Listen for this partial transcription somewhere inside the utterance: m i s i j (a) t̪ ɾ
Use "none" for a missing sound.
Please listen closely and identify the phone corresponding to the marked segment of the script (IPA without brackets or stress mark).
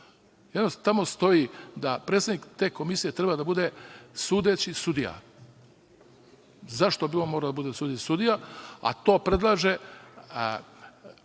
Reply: e